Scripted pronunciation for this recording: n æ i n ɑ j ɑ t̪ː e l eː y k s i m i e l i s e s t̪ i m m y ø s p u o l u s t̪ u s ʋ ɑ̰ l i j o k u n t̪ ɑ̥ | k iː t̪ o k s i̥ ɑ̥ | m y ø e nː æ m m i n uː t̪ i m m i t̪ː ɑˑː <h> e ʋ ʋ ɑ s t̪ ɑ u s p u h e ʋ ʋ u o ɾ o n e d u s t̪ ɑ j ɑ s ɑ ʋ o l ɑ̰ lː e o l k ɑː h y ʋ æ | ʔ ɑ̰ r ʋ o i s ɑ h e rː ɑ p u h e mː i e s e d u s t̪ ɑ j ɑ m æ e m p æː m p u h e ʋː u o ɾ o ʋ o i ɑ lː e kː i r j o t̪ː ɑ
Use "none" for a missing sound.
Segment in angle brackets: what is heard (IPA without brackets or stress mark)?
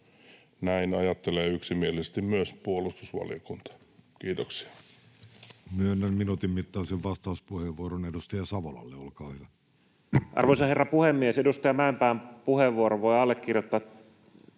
s